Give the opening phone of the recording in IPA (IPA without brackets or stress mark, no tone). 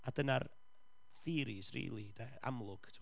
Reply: a